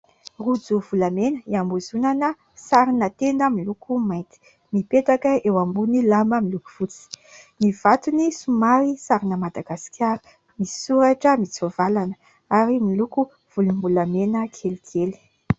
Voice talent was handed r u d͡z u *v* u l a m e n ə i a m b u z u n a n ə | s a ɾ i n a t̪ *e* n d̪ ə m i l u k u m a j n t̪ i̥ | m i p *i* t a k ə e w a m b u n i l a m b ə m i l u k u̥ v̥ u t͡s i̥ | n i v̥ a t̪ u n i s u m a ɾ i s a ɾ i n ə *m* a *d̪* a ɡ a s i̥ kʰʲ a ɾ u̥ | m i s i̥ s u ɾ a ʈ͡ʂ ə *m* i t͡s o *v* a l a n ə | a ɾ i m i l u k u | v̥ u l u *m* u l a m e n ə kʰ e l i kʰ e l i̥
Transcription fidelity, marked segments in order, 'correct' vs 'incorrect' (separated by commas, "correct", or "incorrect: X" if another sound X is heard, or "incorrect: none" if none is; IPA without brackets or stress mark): correct, correct, incorrect: e, correct, correct, correct, correct, correct